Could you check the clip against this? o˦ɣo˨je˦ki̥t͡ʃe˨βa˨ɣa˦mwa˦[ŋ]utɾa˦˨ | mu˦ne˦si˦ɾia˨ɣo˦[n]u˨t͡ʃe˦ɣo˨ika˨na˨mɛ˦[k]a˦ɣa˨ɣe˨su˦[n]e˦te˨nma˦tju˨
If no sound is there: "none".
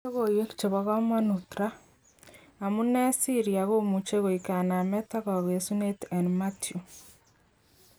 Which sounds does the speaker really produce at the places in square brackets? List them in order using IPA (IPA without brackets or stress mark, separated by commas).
n, m, t, n